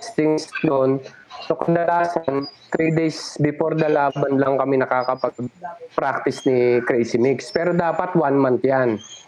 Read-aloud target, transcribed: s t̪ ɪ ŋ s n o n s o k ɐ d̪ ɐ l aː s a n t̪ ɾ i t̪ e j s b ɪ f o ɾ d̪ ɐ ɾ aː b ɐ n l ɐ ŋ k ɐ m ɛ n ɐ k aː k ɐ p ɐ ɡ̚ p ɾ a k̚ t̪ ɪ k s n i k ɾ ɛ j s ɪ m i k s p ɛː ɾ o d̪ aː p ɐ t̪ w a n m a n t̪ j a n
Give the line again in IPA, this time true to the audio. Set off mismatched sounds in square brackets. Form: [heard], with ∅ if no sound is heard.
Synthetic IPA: s t̪ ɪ ŋ s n o n s o k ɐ d̪ ɐ l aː s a n t̪ ɾ i [d̪] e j s b ɪ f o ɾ d̪ ɐ [l] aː b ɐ n l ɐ ŋ k ɐ m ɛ n ɐ k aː k ɐ p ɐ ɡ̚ p ɾ a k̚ t̪ ɪ [∅] s n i k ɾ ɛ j s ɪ m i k s p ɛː ɾ o d̪ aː p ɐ t̪ w a n m a n t̪ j a n